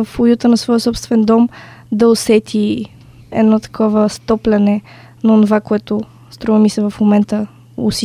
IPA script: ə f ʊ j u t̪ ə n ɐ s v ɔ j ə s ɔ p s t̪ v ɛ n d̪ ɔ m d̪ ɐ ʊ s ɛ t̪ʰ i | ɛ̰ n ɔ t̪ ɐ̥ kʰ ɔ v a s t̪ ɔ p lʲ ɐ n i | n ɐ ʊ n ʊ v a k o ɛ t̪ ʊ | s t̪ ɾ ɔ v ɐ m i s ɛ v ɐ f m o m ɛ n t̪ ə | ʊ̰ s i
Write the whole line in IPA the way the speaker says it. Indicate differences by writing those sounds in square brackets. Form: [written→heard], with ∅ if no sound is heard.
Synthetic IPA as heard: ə f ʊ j u t̪ ə n ɐ s v ɔ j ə s ɔ p s t̪ v ɛ n d̪ ɔ m d̪ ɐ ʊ s ɛ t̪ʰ i | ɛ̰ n ɔ t̪ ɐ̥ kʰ ɔ v [a→ə] s t̪ ɔ p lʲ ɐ n [i→ɛ] | n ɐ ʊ n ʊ v a k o ɛ t̪ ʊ | s t̪ ɾ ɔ v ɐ m i s ɛ v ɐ f m o m ɛ n t̪ ə | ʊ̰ s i